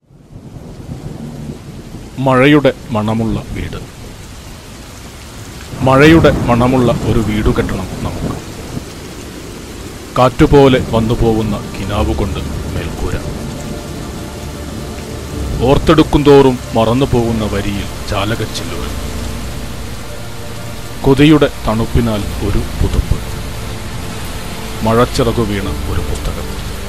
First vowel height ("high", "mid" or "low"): low